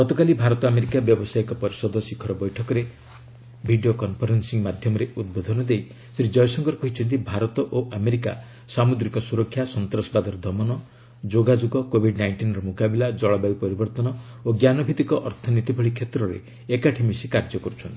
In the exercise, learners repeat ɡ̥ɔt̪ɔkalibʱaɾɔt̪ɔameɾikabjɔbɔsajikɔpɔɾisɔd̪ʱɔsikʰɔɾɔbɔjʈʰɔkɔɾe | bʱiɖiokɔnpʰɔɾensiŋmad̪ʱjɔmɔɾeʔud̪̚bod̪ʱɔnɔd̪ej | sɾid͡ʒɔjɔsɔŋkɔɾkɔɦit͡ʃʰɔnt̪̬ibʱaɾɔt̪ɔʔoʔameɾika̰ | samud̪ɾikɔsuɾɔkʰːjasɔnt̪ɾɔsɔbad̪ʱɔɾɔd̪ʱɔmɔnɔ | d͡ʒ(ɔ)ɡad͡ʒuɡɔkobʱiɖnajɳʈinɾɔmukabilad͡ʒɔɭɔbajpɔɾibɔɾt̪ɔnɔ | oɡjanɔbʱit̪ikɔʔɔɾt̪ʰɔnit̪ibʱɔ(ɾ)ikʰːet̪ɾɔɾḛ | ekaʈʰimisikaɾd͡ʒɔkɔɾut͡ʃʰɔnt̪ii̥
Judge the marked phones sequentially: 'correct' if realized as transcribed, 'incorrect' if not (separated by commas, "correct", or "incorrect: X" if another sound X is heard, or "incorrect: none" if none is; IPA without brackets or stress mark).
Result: incorrect: o, incorrect: ɭ